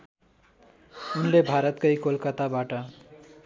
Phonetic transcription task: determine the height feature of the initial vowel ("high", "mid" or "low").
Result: high